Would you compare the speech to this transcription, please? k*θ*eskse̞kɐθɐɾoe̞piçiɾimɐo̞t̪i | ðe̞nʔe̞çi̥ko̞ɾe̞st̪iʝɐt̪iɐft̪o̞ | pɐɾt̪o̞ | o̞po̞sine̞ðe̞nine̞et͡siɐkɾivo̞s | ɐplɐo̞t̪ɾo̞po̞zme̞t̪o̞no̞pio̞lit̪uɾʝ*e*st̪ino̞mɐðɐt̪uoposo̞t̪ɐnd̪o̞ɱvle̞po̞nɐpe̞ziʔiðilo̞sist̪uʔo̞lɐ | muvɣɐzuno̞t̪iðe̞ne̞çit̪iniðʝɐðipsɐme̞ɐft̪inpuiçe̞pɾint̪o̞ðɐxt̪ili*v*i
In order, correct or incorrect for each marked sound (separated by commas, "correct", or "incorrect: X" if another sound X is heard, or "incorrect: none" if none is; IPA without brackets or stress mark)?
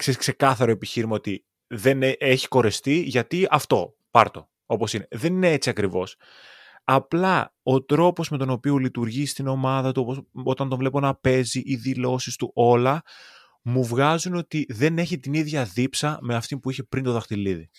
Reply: incorrect: s, incorrect: i, incorrect: ð